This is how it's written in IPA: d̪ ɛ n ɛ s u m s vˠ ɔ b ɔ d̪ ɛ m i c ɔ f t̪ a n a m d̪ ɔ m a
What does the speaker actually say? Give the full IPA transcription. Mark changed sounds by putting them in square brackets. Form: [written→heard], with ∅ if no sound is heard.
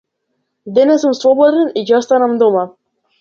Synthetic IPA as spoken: d̪ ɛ n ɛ s u m s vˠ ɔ b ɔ d̪ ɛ [m→n] i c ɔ [f→s] t̪ a n a m d̪ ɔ m a